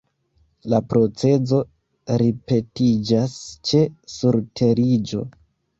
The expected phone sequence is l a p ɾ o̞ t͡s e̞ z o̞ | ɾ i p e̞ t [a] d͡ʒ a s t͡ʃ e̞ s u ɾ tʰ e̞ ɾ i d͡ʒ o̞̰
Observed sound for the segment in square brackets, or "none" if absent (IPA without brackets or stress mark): i